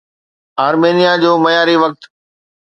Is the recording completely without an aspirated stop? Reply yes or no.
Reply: yes